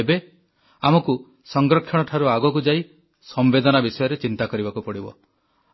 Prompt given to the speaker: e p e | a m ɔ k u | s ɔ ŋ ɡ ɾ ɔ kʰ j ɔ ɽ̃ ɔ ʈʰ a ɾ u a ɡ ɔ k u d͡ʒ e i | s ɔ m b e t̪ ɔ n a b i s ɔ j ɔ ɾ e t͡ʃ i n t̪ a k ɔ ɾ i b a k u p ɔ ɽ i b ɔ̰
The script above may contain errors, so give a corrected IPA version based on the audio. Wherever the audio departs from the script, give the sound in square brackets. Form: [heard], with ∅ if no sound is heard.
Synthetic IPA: e [b] e | a m ɔ k u | s ɔ ŋ ɡ ɾ ɔ kʰ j ɔ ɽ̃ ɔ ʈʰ a ɾ u a ɡ ɔ k u d͡ʒ [a] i | s ɔ m b e [d̪] ɔ n a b i s ɔ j ɔ ɾ e t͡ʃ i n t̪ a k ɔ ɾ i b a k u p ɔ ɽ i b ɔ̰